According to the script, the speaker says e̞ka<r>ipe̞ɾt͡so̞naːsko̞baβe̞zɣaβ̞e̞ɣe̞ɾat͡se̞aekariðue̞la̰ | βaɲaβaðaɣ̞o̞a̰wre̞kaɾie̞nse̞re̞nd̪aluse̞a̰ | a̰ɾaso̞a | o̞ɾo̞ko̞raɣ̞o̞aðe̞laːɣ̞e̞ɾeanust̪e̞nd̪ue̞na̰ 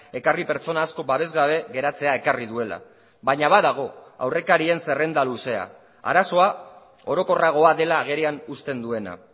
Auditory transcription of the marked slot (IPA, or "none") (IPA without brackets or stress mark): r